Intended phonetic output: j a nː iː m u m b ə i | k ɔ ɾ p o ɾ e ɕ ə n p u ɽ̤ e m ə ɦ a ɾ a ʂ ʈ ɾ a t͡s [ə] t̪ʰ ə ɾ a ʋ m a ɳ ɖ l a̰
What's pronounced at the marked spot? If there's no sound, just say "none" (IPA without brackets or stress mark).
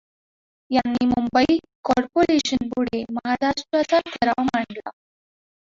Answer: a